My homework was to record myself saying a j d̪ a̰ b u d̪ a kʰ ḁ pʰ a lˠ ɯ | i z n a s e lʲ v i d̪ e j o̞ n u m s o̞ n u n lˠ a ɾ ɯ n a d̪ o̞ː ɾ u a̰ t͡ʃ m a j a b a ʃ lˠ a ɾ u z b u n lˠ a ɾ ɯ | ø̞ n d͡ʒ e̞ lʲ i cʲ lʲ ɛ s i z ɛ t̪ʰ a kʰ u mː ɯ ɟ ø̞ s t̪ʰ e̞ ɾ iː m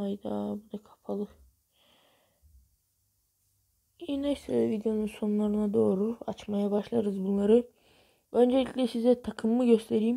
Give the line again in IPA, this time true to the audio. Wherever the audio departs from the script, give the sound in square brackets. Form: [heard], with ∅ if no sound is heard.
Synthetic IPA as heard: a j d̪ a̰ b u d̪ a kʰ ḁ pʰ a lˠ ɯ | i [∅] n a s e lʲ v i d̪ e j o̞ n u [n] s o̞ n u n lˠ a ɾ ɯ n a d̪ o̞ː ɾ u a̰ t͡ʃ m a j a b a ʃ lˠ a ɾ [ɯ] z b u n lˠ a ɾ ɯ | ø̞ n d͡ʒ e̞ lʲ i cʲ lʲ ɛ s i z ɛ t̪ʰ a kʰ [ɯ] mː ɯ ɟ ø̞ s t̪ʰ e̞ ɾ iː m